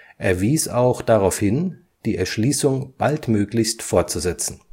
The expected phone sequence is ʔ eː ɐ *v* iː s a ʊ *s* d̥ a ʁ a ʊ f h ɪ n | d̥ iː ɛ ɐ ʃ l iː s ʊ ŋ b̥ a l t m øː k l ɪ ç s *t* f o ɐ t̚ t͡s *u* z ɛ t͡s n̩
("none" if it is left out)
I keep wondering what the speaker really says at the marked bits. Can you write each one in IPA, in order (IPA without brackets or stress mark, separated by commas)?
v, x, t, u